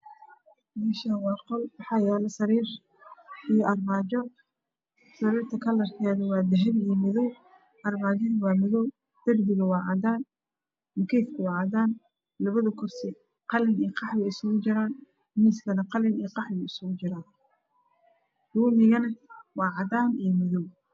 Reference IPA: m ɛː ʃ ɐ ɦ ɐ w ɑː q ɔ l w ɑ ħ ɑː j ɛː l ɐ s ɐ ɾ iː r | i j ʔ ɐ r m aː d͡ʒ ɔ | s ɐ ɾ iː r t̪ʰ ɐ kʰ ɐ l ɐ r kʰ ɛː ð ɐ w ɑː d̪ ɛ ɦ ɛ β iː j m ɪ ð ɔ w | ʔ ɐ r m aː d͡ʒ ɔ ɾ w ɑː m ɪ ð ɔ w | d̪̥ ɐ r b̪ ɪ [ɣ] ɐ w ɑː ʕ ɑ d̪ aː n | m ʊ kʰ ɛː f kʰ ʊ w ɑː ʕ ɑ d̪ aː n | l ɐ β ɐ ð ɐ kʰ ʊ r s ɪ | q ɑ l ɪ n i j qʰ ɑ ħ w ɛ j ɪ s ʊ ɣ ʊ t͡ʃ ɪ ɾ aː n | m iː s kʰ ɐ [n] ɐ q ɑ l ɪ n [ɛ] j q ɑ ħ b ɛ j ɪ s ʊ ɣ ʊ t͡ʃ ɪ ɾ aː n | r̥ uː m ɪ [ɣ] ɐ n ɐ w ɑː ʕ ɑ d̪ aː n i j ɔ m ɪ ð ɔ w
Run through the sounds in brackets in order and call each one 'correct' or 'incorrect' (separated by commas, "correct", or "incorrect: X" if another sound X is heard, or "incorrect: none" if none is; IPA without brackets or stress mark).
correct, correct, incorrect: i, correct